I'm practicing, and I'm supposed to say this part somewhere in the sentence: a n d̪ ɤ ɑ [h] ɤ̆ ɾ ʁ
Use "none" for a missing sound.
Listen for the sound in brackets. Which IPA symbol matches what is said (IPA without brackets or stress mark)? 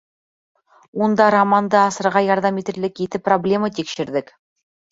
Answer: s